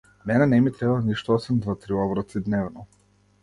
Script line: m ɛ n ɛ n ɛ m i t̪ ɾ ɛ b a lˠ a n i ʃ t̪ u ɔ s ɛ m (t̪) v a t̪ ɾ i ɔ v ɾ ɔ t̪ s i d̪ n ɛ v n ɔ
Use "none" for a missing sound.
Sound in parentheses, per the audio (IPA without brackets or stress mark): d̪